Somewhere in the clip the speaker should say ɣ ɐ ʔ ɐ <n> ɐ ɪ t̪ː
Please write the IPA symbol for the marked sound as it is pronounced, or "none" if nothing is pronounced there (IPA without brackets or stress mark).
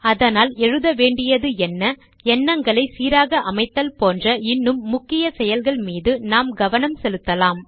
m